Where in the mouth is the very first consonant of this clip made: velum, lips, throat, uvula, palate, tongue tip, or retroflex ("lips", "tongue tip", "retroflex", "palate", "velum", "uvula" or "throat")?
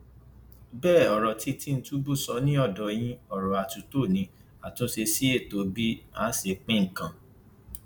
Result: lips